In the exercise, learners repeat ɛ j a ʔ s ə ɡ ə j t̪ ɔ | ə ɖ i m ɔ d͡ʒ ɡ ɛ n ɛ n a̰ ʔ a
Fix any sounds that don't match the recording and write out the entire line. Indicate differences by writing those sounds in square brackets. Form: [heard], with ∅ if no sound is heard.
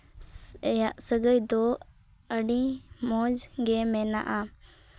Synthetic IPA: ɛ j a ʔ s ə ɡ ə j [d̪] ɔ | ə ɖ i m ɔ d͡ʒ ɡ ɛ [m] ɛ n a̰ ʔ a